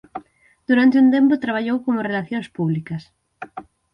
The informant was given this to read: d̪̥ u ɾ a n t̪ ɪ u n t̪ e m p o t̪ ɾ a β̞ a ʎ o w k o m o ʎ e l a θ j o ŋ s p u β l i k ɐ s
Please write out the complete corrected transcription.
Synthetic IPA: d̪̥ u ɾ a n t̪ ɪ u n t̪ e m p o t̪ ɾ a β̞ a ʎ o w k o m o r e l a θ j o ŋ s p u β l i k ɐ s